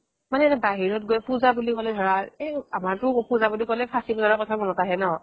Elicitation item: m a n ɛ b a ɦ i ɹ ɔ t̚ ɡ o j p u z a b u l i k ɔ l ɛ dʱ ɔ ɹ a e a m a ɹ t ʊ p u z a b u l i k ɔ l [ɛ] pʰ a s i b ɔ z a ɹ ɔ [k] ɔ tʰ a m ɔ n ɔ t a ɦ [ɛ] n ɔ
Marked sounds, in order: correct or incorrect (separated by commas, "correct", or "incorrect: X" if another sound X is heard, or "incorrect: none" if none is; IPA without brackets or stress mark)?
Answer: correct, correct, correct